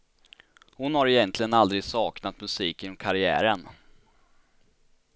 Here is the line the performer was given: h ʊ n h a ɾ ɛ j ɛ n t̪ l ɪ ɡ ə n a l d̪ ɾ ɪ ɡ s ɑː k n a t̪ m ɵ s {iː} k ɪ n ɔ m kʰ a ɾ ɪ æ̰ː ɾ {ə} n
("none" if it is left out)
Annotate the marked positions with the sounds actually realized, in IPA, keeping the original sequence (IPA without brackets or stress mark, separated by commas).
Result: iː, ə